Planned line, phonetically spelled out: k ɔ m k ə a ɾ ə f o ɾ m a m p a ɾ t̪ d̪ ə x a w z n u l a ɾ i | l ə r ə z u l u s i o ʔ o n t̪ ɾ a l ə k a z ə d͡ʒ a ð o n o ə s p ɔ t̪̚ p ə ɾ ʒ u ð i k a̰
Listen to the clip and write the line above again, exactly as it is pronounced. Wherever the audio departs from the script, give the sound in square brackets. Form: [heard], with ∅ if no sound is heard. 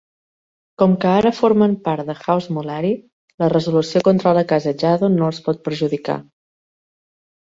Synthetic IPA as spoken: k ɔ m k ə a ɾ ə f o ɾ m [ə] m p a ɾ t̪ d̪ ə x a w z [m] u l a ɾ i | l ə r ə z u l u s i o [k] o n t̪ ɾ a l ə k a z ə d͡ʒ a ð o n o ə s p ɔ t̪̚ p ə ɾ ʒ u ð i k a̰